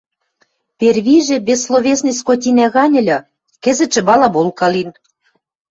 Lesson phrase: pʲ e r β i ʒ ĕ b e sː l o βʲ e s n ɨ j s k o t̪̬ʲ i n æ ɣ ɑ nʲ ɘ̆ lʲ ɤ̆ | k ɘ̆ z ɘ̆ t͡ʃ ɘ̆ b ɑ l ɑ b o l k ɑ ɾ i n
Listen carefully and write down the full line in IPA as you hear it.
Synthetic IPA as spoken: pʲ e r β i ʒ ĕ b e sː l o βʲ e s n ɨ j s k o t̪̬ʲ i n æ ɣ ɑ nʲ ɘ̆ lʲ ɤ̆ | k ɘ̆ z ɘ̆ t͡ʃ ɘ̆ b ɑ l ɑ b o l k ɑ l i n